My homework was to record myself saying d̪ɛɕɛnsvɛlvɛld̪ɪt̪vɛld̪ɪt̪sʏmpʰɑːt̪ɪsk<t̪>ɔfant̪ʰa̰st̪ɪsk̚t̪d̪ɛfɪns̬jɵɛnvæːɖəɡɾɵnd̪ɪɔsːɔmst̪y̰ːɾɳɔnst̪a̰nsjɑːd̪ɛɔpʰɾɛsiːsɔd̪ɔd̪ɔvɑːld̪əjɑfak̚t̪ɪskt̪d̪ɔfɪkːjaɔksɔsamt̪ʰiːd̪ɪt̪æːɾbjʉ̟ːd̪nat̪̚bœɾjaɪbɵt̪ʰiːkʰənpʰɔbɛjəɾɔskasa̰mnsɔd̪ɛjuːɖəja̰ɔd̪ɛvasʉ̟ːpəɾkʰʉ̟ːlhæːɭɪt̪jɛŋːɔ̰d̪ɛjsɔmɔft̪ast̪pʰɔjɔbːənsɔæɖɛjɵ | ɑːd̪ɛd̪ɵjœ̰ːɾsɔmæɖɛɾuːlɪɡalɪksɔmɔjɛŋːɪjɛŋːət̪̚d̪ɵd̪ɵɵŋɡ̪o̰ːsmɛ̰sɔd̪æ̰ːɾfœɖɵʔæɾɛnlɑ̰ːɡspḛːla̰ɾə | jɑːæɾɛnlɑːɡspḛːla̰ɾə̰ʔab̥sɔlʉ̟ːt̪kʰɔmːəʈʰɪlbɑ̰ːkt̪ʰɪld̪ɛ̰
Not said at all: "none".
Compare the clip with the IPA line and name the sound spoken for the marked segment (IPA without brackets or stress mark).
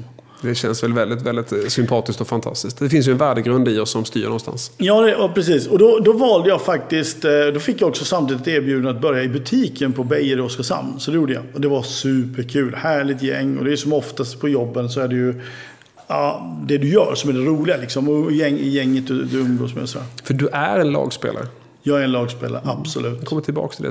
t̪